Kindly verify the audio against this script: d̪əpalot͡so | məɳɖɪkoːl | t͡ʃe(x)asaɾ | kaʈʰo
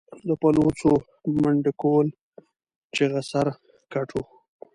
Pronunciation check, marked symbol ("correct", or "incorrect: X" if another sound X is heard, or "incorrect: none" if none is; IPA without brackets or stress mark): incorrect: ɣ